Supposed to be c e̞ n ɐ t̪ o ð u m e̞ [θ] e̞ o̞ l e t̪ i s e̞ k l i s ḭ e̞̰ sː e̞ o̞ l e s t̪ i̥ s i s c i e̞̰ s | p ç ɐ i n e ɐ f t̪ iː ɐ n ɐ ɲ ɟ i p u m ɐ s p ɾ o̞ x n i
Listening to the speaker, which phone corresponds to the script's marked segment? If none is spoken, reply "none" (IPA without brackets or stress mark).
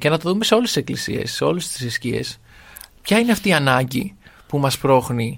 s